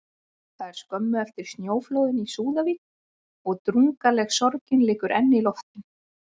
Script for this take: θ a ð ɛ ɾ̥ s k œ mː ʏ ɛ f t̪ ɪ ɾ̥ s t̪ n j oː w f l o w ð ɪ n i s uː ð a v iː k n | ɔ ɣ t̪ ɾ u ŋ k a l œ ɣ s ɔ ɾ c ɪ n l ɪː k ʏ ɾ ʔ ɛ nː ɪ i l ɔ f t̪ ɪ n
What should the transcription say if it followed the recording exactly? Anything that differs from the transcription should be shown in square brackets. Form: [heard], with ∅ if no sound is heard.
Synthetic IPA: θ a ð ɛ ɾ̥ s k œ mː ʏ ɛ f t̪ ɪ ɾ̥ s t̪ n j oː w f l o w ð ɪ n i s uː ð a v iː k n | ɔ ɣ t̪ ɾ u ŋ k a l [ɛ] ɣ s ɔ ɾ c ɪ n l ɪː k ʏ ɾ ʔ ɛ nː ɪ i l ɔ f t̪ ɪ n